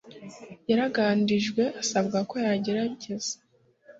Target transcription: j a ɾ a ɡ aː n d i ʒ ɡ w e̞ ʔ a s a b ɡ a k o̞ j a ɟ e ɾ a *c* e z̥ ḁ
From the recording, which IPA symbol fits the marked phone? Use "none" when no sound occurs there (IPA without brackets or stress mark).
ɟ